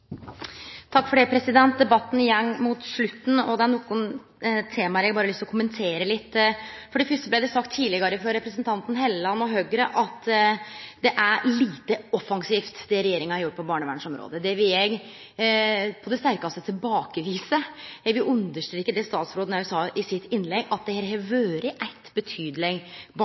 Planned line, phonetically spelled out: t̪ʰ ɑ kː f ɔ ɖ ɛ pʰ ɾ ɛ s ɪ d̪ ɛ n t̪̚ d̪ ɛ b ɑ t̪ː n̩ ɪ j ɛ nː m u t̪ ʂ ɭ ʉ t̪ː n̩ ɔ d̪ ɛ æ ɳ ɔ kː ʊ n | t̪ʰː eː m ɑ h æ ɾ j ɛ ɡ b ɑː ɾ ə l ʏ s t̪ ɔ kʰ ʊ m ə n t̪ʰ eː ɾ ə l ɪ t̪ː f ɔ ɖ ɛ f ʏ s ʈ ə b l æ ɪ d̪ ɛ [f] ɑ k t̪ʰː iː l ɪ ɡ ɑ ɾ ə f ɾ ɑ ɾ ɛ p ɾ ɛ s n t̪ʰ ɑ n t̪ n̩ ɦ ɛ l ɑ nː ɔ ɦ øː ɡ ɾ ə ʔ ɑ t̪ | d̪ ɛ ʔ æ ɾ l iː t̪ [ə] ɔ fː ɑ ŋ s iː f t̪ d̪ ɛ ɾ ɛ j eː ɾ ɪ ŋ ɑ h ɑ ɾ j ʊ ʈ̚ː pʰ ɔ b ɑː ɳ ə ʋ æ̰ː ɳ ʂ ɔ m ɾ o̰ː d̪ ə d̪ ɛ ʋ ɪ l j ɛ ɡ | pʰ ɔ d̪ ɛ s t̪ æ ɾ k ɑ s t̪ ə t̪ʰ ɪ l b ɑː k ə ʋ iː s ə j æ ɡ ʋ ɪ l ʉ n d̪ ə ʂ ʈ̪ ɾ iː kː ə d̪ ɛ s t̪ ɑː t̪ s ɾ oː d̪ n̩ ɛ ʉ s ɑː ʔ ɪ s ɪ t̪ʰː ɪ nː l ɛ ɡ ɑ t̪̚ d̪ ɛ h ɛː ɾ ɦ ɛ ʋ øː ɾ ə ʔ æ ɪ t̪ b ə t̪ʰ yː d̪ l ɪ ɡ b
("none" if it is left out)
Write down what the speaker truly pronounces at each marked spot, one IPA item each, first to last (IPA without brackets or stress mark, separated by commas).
s, ə